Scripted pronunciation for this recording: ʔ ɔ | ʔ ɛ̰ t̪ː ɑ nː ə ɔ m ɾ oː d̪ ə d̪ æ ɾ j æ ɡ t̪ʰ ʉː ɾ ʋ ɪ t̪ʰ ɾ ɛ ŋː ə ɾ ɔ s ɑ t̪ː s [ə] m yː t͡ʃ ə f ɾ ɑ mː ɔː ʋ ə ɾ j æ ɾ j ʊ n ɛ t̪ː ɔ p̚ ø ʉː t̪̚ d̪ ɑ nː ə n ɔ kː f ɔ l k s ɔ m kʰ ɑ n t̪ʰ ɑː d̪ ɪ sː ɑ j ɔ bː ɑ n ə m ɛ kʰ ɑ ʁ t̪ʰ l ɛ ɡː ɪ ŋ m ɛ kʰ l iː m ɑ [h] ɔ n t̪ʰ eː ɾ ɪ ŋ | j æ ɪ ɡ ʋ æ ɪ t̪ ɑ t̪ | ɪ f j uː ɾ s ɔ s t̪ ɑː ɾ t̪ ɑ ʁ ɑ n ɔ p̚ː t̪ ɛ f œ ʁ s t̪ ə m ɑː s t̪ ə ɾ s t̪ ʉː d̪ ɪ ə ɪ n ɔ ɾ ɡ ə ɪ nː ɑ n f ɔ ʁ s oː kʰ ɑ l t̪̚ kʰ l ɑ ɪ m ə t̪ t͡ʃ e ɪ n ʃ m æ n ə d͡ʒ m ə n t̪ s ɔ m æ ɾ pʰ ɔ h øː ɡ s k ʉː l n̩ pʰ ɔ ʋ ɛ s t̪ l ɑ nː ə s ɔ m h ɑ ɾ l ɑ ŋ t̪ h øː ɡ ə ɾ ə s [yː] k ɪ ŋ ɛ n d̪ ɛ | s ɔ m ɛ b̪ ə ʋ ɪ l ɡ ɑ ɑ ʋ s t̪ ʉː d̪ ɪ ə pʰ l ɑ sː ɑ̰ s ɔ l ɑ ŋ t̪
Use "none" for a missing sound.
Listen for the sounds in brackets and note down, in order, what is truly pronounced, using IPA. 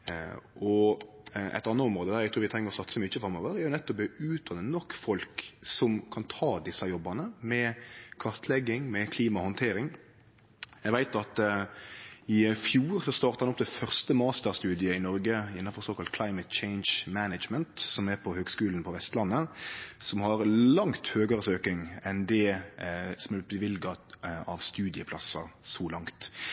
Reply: ə, h, øː

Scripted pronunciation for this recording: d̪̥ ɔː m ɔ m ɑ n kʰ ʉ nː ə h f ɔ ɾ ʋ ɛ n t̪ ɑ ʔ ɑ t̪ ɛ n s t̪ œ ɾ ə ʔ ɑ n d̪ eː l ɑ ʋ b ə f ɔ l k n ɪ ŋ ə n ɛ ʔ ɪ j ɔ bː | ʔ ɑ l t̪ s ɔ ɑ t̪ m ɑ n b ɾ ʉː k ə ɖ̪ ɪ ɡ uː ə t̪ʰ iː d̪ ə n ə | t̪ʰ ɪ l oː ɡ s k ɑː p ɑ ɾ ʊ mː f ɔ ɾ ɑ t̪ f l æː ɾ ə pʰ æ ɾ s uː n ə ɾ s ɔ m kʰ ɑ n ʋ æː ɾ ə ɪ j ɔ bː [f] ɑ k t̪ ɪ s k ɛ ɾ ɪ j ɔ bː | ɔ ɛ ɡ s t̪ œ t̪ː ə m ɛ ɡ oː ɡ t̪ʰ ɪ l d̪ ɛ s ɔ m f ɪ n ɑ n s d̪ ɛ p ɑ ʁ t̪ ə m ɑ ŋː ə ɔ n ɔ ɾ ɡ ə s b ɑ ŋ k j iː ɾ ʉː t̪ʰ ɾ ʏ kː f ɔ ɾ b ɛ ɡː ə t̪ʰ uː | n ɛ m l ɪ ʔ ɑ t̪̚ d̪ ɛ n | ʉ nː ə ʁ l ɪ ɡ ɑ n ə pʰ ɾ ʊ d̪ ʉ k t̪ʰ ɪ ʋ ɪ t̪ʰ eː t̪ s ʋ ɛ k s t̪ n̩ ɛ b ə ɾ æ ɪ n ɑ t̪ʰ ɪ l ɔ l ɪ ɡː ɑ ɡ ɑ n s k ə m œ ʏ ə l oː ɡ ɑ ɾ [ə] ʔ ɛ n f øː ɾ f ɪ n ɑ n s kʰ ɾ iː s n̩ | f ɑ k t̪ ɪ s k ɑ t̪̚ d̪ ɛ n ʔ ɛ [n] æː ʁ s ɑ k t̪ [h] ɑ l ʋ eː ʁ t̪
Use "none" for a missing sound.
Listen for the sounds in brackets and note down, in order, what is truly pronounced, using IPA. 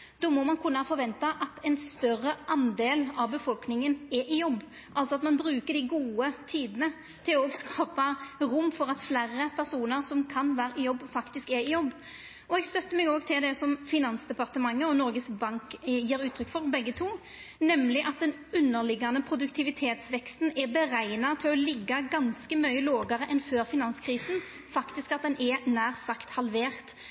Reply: f, ə, n, h

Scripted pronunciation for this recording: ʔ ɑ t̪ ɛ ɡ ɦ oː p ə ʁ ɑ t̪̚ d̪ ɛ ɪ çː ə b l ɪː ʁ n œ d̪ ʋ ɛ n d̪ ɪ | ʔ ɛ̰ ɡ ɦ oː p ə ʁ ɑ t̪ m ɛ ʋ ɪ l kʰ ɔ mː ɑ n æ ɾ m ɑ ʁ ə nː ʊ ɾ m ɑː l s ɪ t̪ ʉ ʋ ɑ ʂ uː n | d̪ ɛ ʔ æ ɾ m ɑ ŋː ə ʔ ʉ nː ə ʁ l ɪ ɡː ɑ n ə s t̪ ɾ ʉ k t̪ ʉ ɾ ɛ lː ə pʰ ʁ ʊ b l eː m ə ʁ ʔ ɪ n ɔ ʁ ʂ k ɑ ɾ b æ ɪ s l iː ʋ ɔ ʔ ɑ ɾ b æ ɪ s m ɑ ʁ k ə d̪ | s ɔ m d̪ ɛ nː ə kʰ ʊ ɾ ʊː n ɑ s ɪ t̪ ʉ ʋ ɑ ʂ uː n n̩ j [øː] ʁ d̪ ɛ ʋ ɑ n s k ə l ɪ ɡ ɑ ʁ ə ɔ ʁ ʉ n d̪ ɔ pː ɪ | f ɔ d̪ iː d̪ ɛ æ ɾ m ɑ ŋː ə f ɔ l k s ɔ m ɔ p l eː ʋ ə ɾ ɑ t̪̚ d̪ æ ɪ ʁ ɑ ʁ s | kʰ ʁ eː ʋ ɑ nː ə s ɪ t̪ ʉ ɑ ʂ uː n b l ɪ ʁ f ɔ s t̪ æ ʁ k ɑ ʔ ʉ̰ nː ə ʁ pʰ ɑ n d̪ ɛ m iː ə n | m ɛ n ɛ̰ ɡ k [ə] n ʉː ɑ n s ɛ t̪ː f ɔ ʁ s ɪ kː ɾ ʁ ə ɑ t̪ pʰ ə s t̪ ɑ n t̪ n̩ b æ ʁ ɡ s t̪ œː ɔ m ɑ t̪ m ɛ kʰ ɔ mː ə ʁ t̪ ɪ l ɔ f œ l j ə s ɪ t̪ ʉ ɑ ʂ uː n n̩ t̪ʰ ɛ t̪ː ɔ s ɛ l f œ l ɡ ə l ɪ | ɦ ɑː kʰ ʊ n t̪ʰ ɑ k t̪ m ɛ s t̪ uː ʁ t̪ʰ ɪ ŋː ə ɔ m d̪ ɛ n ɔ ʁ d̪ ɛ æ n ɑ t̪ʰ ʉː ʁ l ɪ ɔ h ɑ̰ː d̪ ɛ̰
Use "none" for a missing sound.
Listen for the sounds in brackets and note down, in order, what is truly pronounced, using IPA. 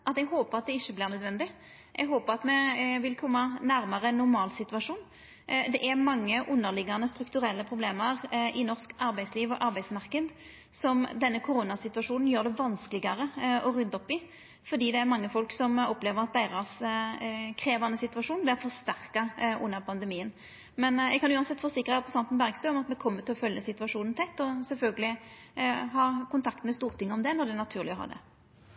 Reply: øː, ɑ

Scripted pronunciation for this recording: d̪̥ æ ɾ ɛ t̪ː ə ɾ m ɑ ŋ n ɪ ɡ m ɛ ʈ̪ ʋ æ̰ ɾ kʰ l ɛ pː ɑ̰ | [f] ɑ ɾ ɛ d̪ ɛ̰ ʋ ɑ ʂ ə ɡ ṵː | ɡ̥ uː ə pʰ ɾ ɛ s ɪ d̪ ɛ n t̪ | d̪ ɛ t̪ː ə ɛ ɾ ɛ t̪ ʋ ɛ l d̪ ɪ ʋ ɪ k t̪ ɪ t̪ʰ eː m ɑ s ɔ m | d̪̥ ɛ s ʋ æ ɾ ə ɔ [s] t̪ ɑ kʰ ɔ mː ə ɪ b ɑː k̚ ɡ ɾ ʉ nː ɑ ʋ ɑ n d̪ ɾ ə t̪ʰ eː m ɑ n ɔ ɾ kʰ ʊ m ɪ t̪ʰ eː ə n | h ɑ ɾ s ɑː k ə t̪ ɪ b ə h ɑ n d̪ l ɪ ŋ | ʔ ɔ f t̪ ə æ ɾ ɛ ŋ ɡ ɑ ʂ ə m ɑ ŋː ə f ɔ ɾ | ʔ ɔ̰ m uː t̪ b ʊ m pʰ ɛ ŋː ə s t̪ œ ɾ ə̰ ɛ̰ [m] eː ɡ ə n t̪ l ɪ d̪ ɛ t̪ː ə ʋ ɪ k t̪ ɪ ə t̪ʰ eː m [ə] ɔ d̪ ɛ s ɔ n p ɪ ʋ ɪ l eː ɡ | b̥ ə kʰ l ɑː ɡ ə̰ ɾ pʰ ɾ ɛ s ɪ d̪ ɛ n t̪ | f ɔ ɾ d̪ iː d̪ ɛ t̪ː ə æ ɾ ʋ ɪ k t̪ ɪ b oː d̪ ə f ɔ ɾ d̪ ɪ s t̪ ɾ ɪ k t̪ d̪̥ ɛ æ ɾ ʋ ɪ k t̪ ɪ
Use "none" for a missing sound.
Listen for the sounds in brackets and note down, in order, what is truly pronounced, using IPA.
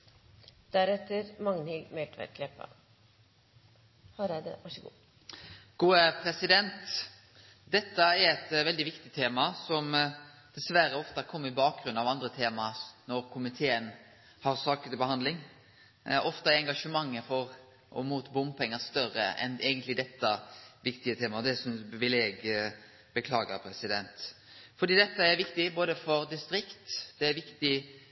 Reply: h, f, n, ɑ

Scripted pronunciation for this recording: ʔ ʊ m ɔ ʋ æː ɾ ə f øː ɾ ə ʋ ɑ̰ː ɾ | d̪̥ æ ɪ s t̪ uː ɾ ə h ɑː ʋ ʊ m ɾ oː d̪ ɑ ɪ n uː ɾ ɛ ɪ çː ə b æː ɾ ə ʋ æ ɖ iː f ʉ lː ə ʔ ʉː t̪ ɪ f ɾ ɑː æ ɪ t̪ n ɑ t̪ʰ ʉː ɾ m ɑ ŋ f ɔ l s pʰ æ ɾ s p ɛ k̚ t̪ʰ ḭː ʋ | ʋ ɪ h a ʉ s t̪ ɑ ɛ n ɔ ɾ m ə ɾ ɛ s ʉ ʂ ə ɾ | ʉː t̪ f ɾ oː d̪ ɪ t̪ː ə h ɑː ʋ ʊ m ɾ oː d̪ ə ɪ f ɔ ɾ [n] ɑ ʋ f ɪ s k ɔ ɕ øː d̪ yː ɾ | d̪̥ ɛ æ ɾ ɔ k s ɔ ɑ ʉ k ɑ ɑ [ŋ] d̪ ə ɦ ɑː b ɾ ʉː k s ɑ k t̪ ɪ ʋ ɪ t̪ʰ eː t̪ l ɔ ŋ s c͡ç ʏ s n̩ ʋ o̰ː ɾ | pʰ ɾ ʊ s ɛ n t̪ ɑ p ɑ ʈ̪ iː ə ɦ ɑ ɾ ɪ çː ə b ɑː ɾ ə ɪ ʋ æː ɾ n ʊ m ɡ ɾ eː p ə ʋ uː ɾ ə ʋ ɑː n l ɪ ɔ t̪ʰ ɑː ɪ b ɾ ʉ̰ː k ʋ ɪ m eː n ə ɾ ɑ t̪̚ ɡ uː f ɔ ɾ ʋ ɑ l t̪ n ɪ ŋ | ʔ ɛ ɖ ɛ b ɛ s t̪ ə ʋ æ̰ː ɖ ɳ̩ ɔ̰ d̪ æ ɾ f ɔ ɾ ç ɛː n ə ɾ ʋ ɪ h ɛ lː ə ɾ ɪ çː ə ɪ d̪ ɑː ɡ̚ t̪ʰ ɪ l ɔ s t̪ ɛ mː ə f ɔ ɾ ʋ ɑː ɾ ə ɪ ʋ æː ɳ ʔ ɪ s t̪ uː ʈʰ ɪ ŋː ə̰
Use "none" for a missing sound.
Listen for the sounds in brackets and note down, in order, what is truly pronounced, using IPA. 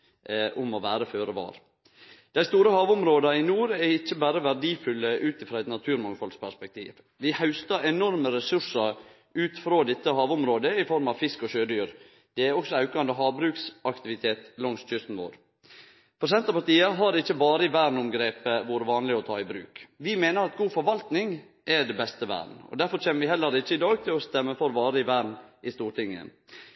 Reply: m, n

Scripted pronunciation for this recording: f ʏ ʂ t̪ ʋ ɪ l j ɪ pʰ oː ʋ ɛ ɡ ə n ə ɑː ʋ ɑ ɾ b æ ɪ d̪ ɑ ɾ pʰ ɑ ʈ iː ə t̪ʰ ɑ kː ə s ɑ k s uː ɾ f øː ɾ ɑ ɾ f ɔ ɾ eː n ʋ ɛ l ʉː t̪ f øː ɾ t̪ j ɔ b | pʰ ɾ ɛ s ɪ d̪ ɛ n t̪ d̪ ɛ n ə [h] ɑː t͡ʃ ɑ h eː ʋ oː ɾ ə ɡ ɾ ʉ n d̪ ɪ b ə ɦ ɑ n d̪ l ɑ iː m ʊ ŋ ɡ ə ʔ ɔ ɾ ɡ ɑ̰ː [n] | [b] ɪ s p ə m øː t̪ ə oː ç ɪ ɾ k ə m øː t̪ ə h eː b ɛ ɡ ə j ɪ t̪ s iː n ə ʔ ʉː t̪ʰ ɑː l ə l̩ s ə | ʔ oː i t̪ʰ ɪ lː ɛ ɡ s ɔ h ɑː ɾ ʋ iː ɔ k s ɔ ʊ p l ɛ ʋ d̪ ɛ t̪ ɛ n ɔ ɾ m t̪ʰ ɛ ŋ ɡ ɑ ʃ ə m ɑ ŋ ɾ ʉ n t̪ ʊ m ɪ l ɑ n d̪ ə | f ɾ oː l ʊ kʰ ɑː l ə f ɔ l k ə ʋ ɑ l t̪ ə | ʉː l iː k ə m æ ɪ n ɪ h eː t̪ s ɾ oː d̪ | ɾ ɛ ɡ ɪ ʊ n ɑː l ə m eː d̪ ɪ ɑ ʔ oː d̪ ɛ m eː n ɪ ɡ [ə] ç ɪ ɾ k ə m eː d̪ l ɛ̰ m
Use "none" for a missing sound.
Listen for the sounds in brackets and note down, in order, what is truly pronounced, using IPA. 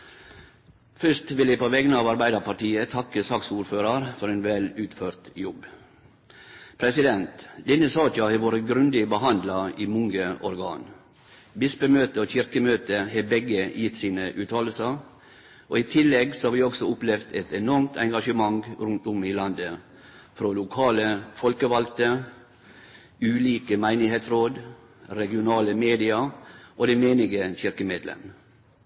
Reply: s, n, b, ə

